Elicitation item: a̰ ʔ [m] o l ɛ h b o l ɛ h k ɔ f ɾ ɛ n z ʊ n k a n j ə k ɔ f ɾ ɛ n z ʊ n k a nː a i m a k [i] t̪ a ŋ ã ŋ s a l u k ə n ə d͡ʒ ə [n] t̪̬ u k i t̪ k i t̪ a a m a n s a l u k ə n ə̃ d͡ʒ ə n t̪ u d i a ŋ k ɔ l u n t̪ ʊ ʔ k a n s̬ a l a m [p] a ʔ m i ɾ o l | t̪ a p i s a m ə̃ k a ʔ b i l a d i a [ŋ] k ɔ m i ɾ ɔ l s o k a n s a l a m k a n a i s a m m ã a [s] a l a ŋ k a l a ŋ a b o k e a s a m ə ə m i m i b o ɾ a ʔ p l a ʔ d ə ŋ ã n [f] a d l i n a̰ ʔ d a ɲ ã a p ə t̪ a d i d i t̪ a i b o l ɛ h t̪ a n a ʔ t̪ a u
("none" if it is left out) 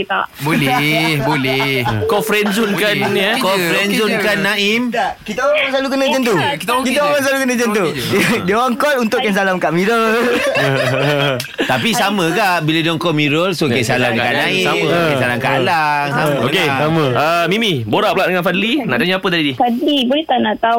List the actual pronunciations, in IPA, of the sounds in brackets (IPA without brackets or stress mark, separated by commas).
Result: b, i, n, k, ŋ, s, f